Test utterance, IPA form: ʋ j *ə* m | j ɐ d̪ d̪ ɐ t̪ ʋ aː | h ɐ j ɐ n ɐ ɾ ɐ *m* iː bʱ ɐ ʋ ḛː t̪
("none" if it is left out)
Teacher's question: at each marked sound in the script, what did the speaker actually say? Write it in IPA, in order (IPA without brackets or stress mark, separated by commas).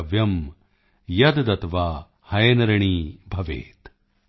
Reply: ɐ, ɳ